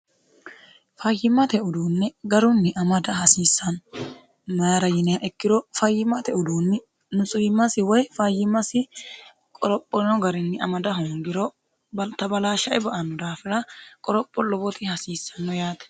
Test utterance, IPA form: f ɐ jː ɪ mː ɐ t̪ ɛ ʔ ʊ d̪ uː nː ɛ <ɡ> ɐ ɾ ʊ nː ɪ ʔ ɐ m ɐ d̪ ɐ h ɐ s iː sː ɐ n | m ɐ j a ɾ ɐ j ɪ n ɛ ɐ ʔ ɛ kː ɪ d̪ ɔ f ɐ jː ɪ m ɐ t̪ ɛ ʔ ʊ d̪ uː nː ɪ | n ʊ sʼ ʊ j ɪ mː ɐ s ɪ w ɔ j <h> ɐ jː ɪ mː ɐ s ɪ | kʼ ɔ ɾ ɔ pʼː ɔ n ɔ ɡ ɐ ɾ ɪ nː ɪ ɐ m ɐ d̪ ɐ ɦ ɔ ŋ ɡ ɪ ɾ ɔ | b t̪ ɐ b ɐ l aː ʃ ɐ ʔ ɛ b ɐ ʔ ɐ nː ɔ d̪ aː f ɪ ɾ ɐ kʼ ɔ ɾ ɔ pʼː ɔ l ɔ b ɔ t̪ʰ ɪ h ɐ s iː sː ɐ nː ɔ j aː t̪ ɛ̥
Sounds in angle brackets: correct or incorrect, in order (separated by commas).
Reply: correct, incorrect